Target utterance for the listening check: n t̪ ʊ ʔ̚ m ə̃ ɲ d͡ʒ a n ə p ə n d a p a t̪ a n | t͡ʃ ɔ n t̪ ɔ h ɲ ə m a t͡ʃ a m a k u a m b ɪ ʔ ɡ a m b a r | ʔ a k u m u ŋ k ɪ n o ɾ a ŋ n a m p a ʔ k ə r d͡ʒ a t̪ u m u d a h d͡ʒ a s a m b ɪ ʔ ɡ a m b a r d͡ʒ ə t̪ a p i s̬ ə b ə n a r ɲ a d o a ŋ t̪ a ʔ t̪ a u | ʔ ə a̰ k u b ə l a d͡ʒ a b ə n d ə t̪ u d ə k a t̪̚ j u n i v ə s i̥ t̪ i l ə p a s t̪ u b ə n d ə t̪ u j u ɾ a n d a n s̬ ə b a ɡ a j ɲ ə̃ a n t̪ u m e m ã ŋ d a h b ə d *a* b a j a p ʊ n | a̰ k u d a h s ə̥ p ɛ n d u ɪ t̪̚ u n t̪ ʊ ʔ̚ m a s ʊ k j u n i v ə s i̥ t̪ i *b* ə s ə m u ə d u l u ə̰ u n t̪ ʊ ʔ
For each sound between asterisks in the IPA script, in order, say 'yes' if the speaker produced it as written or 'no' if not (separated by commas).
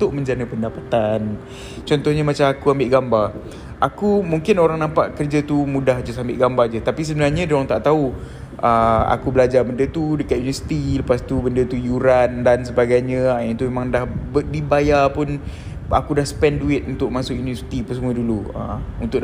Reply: no, no